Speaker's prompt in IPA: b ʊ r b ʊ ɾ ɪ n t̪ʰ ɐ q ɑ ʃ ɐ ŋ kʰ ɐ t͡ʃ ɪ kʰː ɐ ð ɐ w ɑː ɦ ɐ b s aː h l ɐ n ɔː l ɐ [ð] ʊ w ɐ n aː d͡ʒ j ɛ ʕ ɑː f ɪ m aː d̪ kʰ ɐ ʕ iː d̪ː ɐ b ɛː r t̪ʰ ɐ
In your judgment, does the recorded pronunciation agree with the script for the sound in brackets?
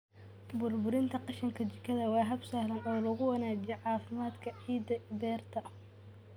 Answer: no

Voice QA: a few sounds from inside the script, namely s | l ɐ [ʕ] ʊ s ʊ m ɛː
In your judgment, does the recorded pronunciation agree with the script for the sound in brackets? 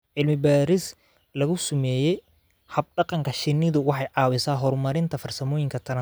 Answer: no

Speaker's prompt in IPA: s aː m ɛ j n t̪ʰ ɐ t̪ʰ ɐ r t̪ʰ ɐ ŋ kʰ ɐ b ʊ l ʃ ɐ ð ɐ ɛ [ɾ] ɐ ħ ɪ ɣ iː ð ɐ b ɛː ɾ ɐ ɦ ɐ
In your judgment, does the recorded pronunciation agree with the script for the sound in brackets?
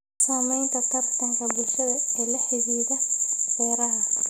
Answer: no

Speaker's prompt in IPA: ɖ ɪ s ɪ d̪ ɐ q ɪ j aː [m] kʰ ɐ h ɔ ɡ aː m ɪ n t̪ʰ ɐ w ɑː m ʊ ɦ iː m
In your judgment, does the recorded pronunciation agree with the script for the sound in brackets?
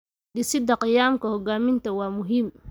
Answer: yes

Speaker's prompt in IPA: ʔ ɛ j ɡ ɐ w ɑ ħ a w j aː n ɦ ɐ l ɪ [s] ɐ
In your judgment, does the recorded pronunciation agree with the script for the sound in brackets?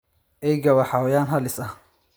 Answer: yes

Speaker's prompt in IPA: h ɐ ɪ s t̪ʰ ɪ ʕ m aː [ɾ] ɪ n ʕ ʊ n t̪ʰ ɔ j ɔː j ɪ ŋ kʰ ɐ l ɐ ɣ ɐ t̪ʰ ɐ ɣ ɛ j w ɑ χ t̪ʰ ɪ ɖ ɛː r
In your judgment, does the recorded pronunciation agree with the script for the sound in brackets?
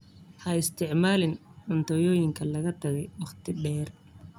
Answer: no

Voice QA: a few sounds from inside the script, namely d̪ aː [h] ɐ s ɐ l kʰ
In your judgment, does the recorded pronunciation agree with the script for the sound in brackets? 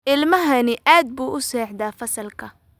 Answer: no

